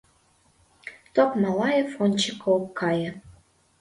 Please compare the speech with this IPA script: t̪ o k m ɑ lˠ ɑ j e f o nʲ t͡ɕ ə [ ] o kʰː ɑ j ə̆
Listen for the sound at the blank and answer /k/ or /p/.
k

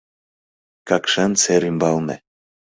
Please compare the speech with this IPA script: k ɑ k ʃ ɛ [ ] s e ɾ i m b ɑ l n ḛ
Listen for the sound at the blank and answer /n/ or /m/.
n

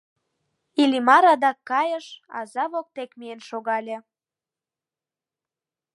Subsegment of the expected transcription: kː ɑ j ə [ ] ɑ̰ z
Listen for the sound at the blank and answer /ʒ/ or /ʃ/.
ʃ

